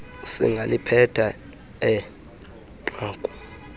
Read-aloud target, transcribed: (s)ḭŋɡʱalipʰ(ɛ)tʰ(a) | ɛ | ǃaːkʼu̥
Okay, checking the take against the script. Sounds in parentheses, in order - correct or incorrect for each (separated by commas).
correct, correct, correct